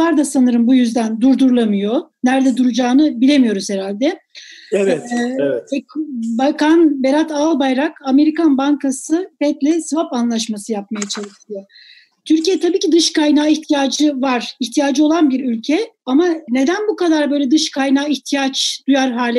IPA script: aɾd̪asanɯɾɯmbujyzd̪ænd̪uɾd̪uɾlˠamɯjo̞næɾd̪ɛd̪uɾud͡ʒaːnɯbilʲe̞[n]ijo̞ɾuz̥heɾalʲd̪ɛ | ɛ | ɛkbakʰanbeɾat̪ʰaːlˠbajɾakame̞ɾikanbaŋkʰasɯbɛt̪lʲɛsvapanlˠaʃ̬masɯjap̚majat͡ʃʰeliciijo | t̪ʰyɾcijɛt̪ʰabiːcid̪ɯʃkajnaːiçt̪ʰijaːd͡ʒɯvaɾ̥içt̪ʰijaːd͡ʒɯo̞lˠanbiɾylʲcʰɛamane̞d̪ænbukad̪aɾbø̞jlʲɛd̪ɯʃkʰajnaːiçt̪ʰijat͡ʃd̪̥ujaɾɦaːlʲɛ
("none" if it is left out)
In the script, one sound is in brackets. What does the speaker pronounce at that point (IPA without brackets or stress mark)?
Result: m